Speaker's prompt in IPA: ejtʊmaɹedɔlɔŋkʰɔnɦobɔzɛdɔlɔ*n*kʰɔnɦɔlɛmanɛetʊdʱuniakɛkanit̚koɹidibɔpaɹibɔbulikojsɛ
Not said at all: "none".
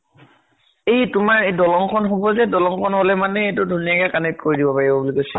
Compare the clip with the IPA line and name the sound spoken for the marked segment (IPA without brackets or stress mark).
ŋ